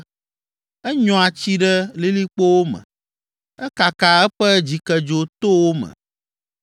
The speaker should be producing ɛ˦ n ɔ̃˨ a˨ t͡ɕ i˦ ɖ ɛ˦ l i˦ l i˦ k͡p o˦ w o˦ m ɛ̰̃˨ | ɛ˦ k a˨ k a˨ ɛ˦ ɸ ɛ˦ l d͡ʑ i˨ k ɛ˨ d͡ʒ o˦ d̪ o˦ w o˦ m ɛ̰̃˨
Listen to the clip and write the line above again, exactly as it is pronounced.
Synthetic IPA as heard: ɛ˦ ɲ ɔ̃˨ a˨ t͡ɕ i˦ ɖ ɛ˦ l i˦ l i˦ k͡p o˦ w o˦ m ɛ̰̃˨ | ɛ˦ k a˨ k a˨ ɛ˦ ɸ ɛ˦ d͡ʑ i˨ k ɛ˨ d͡ʒ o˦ t̪ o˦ w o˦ m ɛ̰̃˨